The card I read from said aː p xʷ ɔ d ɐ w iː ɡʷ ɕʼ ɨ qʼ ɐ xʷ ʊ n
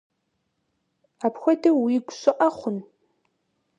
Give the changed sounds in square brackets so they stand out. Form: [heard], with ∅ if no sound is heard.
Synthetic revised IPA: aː p xʷ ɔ d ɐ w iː ɡʷ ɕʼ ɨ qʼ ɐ [χʷ] ʊ n